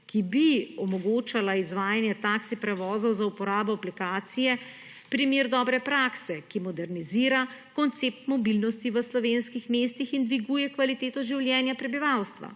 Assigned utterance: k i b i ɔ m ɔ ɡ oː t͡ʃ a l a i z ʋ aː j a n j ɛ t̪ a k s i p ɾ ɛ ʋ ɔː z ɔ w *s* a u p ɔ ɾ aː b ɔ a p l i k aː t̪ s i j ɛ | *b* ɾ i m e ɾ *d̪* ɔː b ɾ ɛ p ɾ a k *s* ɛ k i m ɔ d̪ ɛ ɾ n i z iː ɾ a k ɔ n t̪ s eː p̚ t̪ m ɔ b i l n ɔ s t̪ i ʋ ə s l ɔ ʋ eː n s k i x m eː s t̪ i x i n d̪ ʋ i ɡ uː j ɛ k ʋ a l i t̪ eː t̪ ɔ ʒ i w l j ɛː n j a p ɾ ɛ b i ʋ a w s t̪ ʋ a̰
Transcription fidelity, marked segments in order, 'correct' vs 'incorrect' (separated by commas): incorrect, incorrect, correct, correct